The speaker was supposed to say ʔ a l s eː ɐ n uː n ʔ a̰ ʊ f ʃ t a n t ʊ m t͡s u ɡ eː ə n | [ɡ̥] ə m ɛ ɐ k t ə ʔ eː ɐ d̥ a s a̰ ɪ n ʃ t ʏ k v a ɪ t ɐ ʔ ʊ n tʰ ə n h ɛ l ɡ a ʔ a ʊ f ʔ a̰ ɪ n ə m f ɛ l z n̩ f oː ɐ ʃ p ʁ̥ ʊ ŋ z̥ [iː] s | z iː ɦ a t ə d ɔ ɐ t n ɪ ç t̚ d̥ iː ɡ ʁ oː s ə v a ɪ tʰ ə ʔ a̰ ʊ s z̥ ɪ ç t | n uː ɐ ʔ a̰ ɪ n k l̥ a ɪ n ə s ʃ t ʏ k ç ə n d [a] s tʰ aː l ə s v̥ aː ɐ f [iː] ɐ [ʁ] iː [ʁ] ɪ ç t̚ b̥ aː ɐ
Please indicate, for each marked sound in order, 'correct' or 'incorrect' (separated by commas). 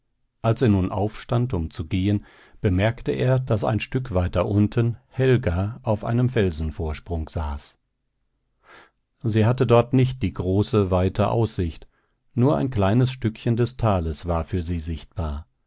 incorrect, incorrect, incorrect, incorrect, incorrect, incorrect